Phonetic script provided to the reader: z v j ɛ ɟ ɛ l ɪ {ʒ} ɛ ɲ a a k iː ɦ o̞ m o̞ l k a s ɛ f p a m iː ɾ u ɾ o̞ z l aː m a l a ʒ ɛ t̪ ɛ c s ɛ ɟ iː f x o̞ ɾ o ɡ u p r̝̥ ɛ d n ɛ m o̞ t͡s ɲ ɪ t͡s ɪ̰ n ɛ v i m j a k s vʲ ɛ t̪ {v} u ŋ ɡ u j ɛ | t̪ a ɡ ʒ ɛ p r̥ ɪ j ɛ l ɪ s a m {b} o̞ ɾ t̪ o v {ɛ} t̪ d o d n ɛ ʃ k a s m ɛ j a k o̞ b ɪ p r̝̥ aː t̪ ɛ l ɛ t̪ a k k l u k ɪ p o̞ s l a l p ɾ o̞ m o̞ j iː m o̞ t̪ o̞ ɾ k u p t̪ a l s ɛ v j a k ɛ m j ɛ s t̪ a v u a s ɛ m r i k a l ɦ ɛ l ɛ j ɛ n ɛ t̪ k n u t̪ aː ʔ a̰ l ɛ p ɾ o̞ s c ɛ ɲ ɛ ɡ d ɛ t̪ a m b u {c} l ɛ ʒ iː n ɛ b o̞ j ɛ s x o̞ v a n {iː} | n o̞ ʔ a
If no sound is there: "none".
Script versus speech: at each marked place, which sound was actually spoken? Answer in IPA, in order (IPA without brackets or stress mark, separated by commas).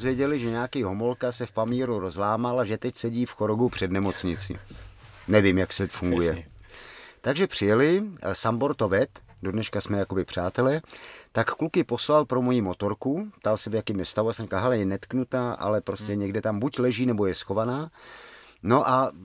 ʒ, f, b, ɛ, c, aː